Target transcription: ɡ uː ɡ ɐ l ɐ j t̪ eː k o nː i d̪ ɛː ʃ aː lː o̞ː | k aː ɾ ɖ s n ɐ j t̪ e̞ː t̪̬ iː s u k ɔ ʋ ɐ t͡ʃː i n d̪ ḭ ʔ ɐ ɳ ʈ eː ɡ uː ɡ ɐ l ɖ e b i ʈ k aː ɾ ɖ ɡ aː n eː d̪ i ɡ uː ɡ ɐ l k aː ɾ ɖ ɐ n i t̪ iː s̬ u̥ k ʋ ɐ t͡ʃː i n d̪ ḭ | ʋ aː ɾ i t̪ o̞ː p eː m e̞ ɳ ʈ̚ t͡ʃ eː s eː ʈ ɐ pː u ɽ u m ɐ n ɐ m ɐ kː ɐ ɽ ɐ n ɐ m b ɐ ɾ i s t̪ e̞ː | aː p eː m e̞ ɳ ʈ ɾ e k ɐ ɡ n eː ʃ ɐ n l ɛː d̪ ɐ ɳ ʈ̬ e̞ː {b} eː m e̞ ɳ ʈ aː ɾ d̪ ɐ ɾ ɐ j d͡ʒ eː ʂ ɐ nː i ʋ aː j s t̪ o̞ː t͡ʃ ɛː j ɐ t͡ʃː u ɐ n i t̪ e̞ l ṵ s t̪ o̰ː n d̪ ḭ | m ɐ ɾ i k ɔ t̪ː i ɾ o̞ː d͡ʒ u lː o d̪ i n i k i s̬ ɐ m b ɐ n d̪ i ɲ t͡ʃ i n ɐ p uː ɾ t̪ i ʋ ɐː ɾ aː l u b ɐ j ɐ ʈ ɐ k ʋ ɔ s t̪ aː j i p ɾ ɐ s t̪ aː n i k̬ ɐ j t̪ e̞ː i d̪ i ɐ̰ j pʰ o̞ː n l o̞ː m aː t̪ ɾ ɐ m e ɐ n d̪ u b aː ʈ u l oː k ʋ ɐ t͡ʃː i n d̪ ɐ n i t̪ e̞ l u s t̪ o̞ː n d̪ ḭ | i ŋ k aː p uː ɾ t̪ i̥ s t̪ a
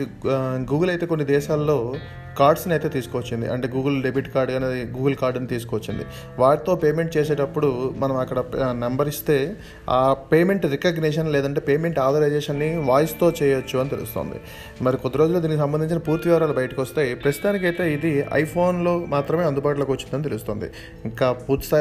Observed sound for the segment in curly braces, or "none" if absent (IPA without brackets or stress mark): p